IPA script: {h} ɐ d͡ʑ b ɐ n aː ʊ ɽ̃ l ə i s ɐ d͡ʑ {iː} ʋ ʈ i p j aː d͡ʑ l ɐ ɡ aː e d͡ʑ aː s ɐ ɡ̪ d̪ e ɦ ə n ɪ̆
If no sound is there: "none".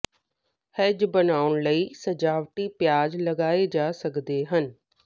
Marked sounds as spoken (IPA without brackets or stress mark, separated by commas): h, aː